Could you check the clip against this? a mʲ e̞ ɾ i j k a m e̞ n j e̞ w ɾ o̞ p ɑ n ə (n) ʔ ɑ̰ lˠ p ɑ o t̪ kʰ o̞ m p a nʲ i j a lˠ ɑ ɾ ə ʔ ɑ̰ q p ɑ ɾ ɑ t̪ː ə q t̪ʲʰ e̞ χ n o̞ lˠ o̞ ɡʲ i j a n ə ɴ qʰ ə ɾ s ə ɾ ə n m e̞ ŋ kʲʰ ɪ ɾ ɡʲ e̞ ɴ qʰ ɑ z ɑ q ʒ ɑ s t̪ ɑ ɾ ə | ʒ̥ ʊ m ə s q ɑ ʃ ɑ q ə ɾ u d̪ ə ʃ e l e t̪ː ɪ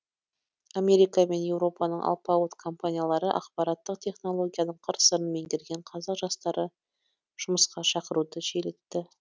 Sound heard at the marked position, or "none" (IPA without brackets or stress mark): ɴ